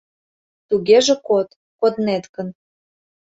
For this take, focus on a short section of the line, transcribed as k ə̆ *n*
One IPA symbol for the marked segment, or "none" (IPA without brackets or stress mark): n